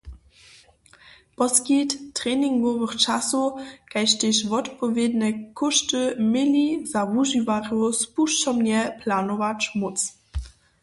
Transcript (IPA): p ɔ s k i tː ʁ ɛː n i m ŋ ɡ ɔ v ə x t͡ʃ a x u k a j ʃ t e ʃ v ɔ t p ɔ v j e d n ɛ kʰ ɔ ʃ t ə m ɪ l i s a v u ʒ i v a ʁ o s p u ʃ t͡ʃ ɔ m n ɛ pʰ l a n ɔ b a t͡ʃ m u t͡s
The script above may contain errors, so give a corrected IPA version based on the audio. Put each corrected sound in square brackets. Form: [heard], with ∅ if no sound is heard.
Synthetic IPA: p ɔ s k i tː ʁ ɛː n i [∅] ŋ ɡ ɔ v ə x t͡ʃ a [s] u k a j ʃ t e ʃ v ɔ t p ɔ v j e d n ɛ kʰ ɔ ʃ t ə m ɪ l i [z] a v u ʒ i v a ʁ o s p u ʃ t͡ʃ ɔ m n ɛ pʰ l a n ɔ [v] a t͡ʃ m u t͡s

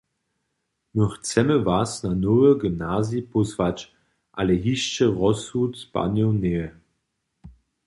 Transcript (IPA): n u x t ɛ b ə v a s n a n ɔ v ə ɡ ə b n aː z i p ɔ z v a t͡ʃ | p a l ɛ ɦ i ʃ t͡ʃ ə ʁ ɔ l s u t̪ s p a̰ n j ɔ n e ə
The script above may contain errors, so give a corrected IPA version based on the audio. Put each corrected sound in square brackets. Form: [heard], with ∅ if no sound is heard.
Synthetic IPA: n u x [t͡s] ɛ [m] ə v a s n a n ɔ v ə ɡ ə [m] n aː z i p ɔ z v a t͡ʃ | [ʔ] a l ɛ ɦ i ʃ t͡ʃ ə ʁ ɔ [∅] s u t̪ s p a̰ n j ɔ n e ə

